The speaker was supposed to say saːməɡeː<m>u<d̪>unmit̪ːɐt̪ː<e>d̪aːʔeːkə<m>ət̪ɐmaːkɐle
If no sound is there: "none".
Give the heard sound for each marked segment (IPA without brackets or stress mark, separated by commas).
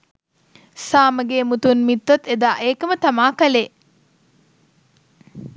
m, t̪, e, m